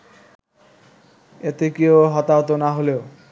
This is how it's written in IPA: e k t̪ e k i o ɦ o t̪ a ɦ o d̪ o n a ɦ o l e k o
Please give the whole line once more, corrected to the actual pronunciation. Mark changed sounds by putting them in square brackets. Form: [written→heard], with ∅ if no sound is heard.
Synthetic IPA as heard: e [k→∅] t̪ e k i o ɦ [o→ɔ] t̪ a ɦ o [d̪→t̪] o n a ɦ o l e [k→∅] o